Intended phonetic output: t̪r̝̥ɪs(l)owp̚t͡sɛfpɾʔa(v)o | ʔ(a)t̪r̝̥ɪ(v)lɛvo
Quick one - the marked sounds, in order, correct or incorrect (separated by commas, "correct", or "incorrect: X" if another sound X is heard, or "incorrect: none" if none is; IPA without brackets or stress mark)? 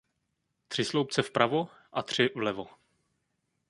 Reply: correct, correct, correct, correct